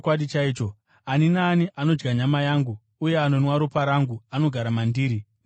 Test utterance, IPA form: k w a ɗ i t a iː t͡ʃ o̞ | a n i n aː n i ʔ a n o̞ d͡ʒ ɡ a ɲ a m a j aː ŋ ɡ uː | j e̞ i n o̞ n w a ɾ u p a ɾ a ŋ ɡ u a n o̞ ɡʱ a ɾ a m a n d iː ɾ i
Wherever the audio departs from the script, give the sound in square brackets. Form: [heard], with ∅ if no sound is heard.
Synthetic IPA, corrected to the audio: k w a ɗ i [t͡ʃ] a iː t͡ʃ o̞ | a n i n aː n i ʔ a n o̞ d͡ʒ ɡ a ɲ a m a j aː ŋ ɡ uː | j e̞ [a] n o̞ n w a ɾ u p a ɾ a ŋ ɡ u a n o̞ ɡʱ a ɾ a m a n d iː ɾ i

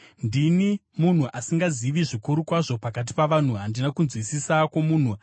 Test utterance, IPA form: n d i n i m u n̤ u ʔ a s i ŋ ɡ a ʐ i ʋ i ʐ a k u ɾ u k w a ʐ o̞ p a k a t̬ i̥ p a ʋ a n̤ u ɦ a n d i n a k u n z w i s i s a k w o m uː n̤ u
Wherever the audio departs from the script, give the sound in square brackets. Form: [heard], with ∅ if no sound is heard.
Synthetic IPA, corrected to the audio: n d i n i m u n̤ u ʔ a s i ŋ ɡ a [z] i ʋ i ʐ [i] k u ɾ u k w a ʐ o̞ p a k a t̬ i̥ p a ʋ a n̤ u ɦ a n d i n a k u n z w i s i s a k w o m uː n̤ u

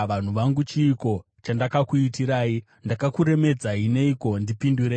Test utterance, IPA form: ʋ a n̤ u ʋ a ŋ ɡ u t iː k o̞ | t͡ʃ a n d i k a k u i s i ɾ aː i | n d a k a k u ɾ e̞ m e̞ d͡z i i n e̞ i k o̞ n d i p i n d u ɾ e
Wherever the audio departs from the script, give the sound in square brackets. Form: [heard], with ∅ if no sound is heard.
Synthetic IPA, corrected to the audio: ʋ a n̤ u ʋ a ŋ ɡ u [t͡ʃ] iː k o̞ | t͡ʃ a n d [a] k a k u i [t] i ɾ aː i | n d a k a k u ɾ e̞ m e̞ d͡z [a] i n e̞ i k o̞ n d i p i n d u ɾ e

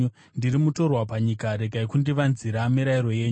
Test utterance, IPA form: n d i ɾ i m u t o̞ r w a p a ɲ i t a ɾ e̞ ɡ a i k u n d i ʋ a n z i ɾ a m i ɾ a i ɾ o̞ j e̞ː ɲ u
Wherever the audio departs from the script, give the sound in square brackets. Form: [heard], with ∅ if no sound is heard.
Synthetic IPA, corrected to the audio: n d i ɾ i m u t o̞ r w a p a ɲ i [k] a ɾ e̞ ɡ a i k u n d i ʋ a n z i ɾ a m i ɾ a i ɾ o̞ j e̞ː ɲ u

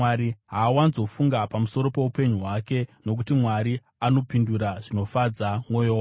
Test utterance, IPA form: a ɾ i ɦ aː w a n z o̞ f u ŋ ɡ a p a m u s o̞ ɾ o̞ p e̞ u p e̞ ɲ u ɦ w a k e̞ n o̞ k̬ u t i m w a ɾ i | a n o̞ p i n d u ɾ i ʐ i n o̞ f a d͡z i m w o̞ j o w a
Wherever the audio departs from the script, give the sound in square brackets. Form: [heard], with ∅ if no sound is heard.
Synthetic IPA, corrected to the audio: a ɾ i ɦ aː w a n z o̞ f u ŋ ɡ a p a m u s o̞ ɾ o̞ p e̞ u p e̞ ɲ u ɦ w a k e̞ n o̞ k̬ u t i m w a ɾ i | a n o̞ p i n d u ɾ [a] ʐ i n o̞ f a d͡z [a] m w o̞ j o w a

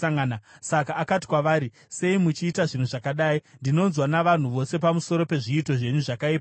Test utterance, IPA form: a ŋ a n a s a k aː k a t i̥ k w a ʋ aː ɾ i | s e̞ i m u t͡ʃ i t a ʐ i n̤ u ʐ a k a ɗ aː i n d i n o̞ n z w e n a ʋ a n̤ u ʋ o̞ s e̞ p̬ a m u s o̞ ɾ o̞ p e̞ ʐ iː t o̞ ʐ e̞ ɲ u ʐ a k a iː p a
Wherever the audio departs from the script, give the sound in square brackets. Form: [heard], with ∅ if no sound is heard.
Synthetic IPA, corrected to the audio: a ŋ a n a s a k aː k a t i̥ k w a ʋ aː ɾ i | s e̞ i m u t͡ʃ [iː] t a ʐ i n̤ u ʐ a k a ɗ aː i n d i n o̞ n z w [a] n a ʋ a n̤ u ʋ o̞ s e̞ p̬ a m u s o̞ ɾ o̞ p e̞ ʐ iː t o̞ ʐ e̞ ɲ u ʐ a k a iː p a

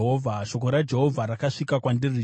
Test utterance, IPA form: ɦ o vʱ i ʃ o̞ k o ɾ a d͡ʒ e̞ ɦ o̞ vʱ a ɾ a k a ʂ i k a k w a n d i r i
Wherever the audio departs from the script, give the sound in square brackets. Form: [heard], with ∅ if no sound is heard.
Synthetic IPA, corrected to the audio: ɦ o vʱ [a] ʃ o̞ k o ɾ a d͡ʒ e̞ ɦ o̞ vʱ a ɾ a k a ʂ i k a k w a n d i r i

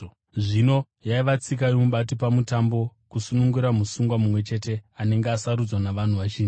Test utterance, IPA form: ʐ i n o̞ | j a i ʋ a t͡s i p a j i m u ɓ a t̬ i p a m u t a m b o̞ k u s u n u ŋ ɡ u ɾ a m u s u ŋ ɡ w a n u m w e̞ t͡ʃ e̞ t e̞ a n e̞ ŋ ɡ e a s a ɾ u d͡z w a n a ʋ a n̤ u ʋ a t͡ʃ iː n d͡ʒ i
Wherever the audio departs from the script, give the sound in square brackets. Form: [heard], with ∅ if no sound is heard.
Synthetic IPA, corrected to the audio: ʐ i n o̞ | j a i ʋ a t͡s i [k] a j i m u ɓ a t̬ i p a m u t a m b o̞ k u s u n u ŋ ɡ u ɾ a m u s u ŋ ɡ w a [m] u m w e̞ t͡ʃ e̞ t e̞ a n e̞ ŋ ɡ e a s a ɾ u d͡z w a n a ʋ a n̤ u ʋ a t͡ʃ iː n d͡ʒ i

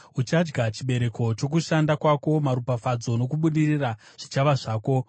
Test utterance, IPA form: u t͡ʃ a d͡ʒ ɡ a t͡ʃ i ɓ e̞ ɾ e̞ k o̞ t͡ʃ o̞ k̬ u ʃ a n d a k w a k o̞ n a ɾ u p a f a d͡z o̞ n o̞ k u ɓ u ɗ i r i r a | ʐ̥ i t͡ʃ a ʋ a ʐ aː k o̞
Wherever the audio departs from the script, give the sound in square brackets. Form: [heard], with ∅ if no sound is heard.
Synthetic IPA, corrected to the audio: u t͡ʃ a d͡ʒ ɡ a t͡ʃ i ɓ e̞ ɾ e̞ k o̞ t͡ʃ o̞ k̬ u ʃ a n d a k w a k o̞ [m] a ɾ u p a f a d͡z o̞ n o̞ k u ɓ u ɗ i r i r a | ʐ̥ i t͡ʃ a ʋ a ʐ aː k o̞

